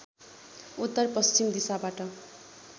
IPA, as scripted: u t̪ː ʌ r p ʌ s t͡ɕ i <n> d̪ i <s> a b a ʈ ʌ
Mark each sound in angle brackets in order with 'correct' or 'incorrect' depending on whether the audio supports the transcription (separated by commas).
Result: incorrect, correct